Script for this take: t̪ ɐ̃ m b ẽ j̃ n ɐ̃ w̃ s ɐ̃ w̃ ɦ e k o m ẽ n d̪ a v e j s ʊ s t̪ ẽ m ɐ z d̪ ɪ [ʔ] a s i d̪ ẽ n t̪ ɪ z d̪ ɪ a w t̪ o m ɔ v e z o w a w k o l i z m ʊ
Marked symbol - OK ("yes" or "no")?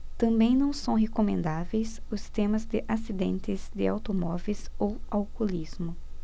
yes